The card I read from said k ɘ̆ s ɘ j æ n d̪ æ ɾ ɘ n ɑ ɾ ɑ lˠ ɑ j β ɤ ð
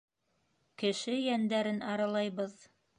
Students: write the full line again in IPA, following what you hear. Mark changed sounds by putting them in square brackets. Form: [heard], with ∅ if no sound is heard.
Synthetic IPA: k ɘ̆ [ʃ] ɘ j æ n d̪ æ ɾ ɘ n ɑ ɾ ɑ lˠ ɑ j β ɤ ð